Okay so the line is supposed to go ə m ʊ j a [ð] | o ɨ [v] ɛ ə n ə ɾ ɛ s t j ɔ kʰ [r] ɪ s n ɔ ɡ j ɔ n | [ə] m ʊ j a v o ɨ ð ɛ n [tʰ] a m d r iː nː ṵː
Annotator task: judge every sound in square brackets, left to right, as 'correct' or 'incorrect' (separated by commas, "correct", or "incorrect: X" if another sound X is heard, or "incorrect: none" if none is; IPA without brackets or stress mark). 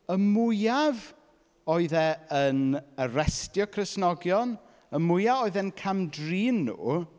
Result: incorrect: v, incorrect: ð, correct, correct, incorrect: kʰ